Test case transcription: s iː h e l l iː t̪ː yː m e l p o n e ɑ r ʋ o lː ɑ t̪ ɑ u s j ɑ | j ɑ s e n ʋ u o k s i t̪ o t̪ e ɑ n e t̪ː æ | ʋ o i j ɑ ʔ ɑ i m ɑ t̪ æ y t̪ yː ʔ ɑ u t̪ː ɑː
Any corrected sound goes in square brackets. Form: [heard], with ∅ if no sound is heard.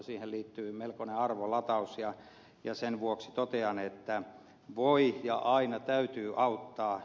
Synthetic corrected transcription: s iː h e l l iː t̪ː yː m e l [k] o n e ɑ r ʋ o [l] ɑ t̪ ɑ u s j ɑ | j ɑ s e n ʋ u o k s i t̪ o t̪ e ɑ n e t̪ː æ | ʋ o i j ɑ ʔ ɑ i [n] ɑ t̪ æ y t̪ yː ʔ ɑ u t̪ː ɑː